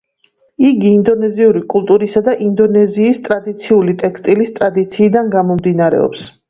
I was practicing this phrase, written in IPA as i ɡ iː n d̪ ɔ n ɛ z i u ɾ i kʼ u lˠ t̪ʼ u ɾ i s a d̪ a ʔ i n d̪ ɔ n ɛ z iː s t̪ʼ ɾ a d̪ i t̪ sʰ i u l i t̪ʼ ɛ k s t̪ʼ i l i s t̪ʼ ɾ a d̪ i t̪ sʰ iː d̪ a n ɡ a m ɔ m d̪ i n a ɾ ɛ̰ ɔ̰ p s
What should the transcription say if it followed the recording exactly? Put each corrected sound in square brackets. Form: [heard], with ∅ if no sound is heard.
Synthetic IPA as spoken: i ɡ iː n d̪ ɔ n ɛ z i u ɾ i kʼ u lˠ t̪ʼ u ɾ i s a d̪ a ʔ i n d̪ ɔ n ɛ z iː s t̪ʼ ɾ a d̪ i t̪ sʰ i u l i t̪ʼ ɛ k s t̪ʼ i l i s t̪ʼ ɾ a d̪ i t̪ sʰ iː d̪ a n ɡ a m ɔ m d̪ i n a ɾ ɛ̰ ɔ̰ p s